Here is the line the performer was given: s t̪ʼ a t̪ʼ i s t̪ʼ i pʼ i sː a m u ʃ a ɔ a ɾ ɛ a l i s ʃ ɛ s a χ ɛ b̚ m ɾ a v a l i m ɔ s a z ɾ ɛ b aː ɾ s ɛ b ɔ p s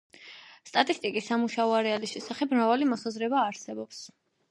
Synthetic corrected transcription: s t̪ʼ a t̪ʼ i s t̪ʼ i kʼ i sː a m u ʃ a ɔ a ɾ ɛ a l i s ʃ ɛ s a χ ɛ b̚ m ɾ a v a l i m ɔ s a z ɾ ɛ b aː ɾ s ɛ b ɔ p s